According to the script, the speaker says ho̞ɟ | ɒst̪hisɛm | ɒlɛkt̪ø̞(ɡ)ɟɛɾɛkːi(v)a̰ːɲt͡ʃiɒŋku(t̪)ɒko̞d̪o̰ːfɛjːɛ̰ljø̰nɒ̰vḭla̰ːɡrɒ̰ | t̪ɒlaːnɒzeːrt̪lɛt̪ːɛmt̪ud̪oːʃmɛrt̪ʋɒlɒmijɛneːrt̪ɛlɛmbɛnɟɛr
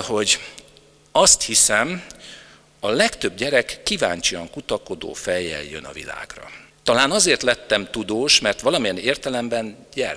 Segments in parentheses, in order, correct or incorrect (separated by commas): incorrect, correct, correct